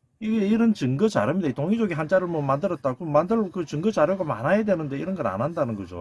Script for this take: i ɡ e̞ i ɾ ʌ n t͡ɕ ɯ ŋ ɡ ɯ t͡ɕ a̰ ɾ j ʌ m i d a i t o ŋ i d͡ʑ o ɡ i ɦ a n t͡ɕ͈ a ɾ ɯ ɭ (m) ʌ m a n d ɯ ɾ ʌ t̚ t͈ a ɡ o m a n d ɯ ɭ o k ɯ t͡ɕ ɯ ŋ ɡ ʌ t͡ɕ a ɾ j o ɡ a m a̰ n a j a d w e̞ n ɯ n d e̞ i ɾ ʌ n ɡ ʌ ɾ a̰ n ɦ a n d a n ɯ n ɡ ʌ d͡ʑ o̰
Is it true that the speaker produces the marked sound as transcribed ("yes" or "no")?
yes